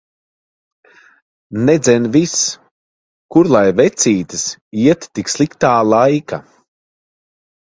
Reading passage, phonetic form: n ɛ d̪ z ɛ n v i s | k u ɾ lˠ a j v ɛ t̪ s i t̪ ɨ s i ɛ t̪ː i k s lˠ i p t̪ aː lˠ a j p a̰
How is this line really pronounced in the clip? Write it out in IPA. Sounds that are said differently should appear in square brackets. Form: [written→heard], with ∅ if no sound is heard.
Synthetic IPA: n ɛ d̪ z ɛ n v i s | k u ɾ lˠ a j v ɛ t̪ s [i→iː] t̪ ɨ s i ɛ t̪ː i k s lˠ i [p→k] t̪ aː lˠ a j [p→k] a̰

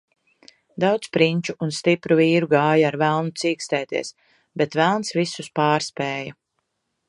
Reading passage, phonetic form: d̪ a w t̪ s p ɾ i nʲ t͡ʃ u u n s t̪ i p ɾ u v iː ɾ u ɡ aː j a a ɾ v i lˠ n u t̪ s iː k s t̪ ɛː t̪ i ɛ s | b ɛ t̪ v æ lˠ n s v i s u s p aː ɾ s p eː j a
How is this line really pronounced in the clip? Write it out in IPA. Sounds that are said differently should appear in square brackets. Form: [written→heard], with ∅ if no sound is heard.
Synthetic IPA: d̪ a w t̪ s p ɾ i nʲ t͡ʃ u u n s t̪ i p ɾ u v iː ɾ u ɡ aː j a a ɾ v [i→æ] lˠ n u t̪ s iː k s t̪ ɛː t̪ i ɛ s | b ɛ t̪ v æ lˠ n s v i s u s p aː ɾ s p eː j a

